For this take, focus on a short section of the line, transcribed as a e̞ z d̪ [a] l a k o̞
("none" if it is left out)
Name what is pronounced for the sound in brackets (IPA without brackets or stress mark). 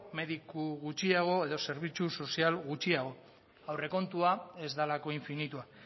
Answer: a